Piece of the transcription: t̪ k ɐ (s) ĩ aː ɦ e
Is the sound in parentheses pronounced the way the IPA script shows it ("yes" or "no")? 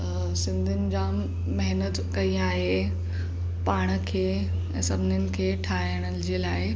no